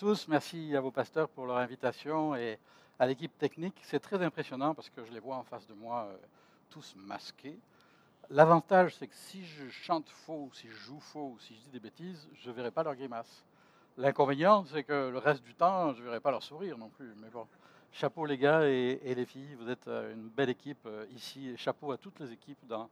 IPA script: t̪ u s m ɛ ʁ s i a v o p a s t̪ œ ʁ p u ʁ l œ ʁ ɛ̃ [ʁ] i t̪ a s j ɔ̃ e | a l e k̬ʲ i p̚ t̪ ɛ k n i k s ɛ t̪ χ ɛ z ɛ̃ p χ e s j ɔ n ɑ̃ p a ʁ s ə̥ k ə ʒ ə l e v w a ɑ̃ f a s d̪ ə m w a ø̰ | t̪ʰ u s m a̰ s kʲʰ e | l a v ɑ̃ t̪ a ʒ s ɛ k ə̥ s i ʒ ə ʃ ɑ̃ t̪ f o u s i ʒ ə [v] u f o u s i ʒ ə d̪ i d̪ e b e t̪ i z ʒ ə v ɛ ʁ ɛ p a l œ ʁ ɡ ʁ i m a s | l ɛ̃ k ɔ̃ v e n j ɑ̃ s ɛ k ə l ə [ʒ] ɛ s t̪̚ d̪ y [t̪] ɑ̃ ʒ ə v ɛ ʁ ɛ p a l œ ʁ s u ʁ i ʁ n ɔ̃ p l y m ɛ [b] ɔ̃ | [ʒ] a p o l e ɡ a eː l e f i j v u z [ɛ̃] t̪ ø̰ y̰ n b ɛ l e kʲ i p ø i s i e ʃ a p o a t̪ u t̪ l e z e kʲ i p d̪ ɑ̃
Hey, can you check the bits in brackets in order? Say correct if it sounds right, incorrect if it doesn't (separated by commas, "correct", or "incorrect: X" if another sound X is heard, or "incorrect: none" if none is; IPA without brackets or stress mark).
incorrect: v, incorrect: ʒ, incorrect: ʁ, correct, correct, incorrect: ʃ, incorrect: ɛ